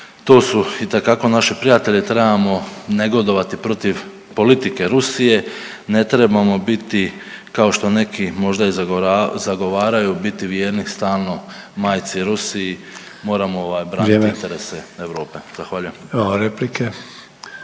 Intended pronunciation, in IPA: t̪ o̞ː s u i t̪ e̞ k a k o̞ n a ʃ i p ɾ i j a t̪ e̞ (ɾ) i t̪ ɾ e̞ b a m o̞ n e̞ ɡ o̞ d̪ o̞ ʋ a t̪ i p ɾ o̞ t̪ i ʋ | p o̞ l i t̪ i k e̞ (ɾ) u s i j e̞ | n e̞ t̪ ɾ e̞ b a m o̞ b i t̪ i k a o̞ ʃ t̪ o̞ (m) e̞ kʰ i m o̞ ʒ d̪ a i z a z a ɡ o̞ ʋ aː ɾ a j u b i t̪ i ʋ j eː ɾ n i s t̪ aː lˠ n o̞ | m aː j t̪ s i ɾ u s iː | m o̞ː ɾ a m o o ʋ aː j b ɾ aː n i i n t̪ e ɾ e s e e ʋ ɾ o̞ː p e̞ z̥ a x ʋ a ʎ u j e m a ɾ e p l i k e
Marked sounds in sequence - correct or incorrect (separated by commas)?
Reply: incorrect, correct, incorrect